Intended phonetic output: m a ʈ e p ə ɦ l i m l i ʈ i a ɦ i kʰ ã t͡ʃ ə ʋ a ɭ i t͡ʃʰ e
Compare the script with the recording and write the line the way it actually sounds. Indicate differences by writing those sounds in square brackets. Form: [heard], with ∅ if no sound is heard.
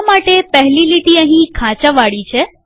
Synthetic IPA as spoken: m a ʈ e p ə ɦ l i [∅] l i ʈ i [ə] ɦ [ĩ] kʰ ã t͡ʃ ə ʋ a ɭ i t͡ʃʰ e